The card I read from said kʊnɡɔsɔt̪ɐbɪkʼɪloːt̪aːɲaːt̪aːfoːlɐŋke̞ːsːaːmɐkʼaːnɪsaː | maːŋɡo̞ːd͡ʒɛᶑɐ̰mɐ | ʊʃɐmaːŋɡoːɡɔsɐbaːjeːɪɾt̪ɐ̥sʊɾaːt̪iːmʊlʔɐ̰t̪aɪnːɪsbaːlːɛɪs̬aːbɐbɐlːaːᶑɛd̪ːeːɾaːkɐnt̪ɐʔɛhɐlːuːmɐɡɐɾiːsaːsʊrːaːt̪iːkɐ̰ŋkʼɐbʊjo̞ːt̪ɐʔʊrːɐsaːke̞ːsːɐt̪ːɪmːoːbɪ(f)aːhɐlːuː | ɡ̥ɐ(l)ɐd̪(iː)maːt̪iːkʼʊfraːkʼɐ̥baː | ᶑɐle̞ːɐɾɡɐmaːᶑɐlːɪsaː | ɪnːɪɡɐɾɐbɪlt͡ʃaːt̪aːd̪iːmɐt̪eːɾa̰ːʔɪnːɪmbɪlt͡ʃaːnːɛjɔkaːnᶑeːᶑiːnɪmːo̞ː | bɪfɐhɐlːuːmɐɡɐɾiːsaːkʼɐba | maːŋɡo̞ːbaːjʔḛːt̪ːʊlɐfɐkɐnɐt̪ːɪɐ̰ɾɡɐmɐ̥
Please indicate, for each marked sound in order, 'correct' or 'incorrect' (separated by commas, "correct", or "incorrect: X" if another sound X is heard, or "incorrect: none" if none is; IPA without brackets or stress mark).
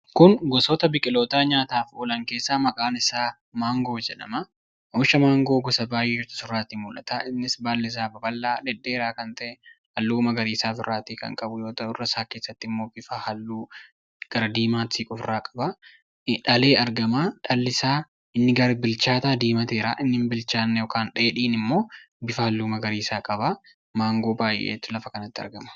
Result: correct, incorrect: ɾ, correct